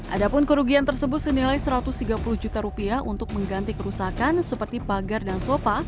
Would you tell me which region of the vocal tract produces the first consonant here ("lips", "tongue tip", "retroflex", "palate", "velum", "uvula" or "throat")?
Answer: throat